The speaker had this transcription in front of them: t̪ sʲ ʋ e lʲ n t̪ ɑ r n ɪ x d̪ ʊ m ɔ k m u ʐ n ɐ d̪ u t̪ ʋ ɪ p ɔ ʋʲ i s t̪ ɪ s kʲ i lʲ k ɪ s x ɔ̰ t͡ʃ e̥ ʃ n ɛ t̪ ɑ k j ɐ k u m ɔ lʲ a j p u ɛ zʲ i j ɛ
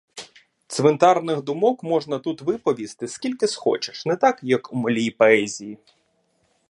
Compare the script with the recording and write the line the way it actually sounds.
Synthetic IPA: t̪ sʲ ʋ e n t̪ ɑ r n ɪ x d̪ ʊ m ɔ k m ɔ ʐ n ɐ t̪ u t̪ ʋ ɪ p ɔ ʋʲ i s t̪ ɪ s kʲ i lʲ k ɪ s x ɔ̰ t͡ʃ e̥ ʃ n ɛ t̪ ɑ k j ɐ k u m ɔ lʲ i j p ɔ ɛ zʲ i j i